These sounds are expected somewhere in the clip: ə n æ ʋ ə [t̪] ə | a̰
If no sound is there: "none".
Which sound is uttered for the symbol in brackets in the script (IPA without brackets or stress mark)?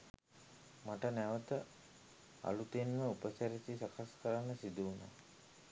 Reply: t̪